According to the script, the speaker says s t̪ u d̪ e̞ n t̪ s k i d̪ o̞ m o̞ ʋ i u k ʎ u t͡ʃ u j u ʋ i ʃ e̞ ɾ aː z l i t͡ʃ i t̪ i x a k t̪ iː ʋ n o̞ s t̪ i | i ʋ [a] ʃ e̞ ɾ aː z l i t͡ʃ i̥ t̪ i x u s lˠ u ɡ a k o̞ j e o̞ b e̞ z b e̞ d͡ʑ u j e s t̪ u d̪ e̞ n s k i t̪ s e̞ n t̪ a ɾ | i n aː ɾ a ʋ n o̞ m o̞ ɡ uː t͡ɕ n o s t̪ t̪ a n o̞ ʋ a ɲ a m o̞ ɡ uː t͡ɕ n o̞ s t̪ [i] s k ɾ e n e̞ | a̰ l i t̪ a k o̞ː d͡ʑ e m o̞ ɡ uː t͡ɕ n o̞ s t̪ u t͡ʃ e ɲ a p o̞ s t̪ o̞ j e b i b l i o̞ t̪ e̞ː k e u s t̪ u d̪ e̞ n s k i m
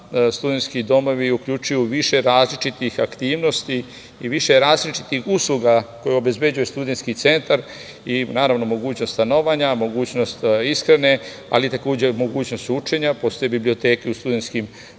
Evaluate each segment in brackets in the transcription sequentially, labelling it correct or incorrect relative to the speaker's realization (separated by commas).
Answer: incorrect, correct